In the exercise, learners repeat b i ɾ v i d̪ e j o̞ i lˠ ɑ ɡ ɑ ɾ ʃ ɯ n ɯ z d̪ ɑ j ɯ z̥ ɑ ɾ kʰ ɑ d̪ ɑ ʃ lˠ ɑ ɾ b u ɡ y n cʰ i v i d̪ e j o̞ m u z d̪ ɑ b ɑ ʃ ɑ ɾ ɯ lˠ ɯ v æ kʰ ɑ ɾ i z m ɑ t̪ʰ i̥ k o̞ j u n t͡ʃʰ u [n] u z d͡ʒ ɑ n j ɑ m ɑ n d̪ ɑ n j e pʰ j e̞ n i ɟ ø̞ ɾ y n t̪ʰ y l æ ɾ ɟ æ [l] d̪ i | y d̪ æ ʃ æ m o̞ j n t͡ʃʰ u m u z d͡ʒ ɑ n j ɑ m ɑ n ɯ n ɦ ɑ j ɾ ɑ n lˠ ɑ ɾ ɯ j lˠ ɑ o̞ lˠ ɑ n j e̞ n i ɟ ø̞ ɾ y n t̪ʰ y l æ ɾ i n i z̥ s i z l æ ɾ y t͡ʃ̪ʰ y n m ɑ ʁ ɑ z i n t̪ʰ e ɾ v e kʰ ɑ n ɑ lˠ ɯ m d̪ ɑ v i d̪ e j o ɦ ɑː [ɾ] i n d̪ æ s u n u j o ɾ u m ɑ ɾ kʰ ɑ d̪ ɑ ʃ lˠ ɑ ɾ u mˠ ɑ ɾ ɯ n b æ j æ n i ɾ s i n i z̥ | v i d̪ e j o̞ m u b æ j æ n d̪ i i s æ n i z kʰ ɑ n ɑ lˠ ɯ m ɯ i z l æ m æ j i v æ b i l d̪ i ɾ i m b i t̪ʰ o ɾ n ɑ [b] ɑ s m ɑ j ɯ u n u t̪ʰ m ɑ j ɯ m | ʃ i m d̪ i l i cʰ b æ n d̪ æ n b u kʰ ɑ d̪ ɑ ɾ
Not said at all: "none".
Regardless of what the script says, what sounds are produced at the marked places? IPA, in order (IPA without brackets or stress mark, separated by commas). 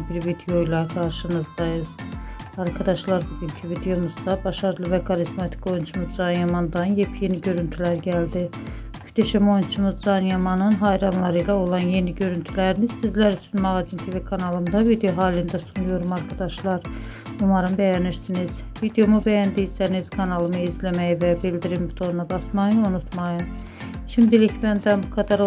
m, l, l, b